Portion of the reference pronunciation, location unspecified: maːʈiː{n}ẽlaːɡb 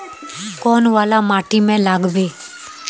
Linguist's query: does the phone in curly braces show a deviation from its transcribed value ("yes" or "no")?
yes